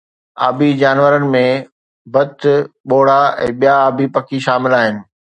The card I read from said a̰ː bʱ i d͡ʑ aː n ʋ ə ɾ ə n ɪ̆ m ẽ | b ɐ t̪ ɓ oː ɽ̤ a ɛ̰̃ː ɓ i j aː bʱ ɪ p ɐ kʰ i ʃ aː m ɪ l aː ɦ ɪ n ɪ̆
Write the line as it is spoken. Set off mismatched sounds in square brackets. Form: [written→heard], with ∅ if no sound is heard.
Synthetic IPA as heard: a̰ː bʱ i d͡ʑ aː n ʋ ə ɾ ə n ɪ̆ m ẽ | b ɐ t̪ ɓ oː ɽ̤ a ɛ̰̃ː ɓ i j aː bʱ [ɪ→i] p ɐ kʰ i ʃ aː m ɪ l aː ɦ ɪ n ɪ̆